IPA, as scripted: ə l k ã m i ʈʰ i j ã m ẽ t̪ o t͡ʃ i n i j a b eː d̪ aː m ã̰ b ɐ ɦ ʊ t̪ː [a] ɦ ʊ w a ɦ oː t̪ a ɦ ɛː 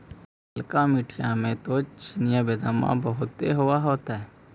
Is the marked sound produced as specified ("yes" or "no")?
no